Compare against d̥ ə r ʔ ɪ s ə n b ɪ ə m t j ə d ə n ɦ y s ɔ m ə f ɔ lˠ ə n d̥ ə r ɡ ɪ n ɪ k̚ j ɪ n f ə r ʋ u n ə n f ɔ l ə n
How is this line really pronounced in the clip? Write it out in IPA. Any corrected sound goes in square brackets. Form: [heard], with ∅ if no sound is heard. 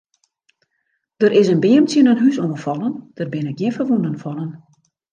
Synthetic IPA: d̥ ə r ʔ ɪ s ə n b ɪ ə m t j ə [n] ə n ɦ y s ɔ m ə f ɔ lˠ ə n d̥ ə r [b] ɪ n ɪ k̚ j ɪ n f ə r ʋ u n ə n f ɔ l ə n